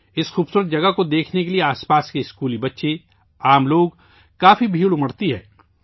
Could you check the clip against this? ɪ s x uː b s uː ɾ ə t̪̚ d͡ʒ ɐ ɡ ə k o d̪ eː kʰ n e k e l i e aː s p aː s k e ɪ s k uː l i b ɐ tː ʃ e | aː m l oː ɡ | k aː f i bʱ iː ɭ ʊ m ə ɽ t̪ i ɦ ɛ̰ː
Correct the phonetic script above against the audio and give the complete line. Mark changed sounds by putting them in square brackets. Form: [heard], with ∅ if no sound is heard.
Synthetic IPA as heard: ɪ s x uː b s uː ɾ ə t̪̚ d͡ʒ ɐ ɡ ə k o d̪ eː kʰ n e k e l i e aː s p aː s k e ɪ s k uː l i b ɐ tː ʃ e | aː m l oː ɡ | k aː f i bʱ iː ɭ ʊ m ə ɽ t̪ i ɦ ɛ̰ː